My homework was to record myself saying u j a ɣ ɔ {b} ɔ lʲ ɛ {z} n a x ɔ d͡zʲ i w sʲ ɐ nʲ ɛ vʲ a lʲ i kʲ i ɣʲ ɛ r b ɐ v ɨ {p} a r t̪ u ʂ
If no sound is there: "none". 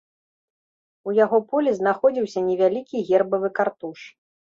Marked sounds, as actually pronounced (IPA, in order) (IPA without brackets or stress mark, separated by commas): p, z, k